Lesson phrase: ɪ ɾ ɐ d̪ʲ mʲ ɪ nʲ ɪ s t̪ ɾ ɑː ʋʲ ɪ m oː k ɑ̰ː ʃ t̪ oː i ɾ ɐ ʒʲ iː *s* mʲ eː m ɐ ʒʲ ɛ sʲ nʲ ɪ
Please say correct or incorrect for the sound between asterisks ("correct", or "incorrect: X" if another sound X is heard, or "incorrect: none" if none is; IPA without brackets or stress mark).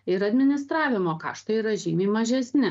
incorrect: none